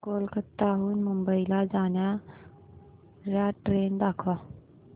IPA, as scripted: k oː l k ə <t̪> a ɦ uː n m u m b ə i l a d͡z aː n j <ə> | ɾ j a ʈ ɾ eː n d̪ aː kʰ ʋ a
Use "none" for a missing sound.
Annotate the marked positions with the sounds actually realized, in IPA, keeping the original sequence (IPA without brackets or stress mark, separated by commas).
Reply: t̪, a